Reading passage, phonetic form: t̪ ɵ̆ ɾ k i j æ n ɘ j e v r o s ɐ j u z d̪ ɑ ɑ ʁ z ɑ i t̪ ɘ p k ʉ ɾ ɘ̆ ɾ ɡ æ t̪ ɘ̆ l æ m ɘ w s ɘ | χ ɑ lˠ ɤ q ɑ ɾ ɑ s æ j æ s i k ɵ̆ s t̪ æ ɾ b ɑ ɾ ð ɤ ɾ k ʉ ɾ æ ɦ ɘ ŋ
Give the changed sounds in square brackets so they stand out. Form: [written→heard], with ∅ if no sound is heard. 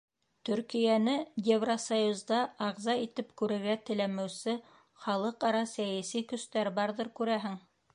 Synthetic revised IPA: t̪ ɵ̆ ɾ k i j æ n ɘ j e v r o s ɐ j u z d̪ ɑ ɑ ʁ z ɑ i t̪ ɘ p k ʉ ɾ ɘ̆ ɾ ɡ æ t̪ ɘ̆ l æ m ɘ w s ɘ | χ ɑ lˠ ɤ q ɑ ɾ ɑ s æ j æ s i k ɵ̆ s t̪ æ ɾ b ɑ ɾ ð ɤ ɾ k ʉ ɾ æ ɦ ɘ ŋ